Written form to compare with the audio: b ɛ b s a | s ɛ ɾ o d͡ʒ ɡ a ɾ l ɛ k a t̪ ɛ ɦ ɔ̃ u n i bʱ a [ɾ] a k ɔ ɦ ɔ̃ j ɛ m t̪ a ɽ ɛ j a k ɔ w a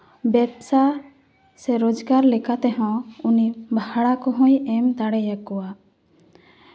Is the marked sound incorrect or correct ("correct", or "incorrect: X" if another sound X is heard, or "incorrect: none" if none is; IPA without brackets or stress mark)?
incorrect: ɽ